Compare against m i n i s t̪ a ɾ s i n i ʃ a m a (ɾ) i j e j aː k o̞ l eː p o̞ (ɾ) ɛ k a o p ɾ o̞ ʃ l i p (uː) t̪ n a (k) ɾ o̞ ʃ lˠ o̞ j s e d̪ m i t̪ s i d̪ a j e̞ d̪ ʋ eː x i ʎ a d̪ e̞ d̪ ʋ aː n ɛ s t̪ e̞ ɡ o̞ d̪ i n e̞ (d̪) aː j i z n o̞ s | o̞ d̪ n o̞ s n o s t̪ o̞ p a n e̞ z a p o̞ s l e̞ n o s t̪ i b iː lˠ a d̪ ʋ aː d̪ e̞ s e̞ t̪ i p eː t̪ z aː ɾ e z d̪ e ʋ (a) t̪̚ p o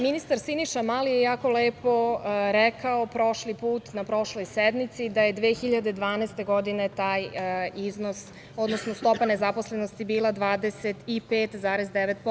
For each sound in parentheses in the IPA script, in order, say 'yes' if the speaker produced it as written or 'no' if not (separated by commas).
no, yes, yes, no, no, no